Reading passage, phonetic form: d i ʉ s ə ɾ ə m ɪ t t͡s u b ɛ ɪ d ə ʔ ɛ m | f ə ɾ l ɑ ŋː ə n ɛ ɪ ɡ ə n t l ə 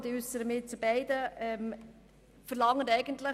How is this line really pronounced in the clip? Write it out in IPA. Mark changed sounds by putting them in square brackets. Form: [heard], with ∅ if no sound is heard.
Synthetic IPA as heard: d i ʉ s ə ɾ ə m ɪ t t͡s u b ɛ ɪ d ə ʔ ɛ m | f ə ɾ l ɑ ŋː ə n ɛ ɪ ɡ ə n t l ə